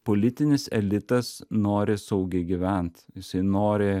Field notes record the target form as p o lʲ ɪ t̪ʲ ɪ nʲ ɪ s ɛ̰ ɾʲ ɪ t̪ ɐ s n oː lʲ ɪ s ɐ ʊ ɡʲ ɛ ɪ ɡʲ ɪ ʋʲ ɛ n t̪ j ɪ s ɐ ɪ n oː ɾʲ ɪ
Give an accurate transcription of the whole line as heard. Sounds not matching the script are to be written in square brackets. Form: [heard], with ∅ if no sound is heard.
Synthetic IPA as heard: p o lʲ ɪ t̪ʲ ɪ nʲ ɪ s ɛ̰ [lʲ] ɪ t̪ ɐ s n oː [ɾʲ] ɪ s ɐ ʊ ɡʲ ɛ ɪ ɡʲ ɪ ʋʲ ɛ n t̪ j ɪ s ɐ ɪ n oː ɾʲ ɪ